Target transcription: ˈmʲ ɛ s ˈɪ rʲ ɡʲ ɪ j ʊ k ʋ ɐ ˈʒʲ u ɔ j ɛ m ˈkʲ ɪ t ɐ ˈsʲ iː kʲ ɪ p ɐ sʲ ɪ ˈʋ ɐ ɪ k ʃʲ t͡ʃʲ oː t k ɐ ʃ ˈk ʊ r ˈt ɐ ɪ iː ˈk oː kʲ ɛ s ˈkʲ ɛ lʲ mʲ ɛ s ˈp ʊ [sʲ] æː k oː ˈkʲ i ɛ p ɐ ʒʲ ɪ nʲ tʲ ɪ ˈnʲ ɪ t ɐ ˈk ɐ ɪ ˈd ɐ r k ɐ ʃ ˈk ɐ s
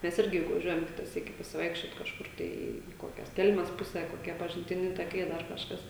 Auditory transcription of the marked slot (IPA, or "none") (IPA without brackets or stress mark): sʲ